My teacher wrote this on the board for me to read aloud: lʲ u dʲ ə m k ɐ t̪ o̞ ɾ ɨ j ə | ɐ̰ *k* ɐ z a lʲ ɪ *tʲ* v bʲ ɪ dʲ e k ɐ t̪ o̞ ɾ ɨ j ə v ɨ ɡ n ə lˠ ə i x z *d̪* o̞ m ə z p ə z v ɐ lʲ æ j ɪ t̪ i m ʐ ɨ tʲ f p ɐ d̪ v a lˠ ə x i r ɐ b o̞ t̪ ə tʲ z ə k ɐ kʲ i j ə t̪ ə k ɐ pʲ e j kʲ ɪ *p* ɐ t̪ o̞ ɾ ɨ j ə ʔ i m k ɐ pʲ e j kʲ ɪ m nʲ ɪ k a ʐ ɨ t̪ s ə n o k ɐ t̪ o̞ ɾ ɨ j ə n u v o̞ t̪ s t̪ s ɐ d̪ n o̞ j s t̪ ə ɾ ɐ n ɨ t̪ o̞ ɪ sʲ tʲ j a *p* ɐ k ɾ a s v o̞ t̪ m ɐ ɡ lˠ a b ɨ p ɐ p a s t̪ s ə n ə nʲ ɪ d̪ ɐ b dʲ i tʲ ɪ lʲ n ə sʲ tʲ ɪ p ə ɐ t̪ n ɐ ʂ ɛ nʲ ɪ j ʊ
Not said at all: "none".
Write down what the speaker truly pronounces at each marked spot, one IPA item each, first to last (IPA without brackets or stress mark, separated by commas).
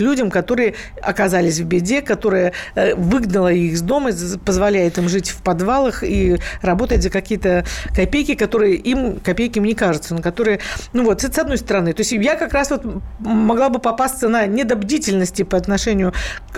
k, sʲ, d̪, k, k